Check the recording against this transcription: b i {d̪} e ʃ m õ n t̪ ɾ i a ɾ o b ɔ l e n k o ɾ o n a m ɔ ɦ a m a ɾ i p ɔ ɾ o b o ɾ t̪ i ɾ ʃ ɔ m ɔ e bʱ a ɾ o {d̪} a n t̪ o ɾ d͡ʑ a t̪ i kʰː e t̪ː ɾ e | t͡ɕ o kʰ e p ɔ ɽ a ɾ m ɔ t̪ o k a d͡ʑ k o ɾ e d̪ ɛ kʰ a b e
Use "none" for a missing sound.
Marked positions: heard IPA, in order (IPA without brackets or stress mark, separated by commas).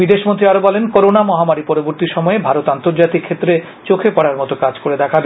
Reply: d̪, t̪